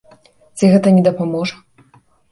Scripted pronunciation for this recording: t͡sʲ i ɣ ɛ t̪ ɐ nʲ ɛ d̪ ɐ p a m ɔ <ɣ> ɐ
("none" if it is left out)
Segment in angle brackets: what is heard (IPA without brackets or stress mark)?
ʐ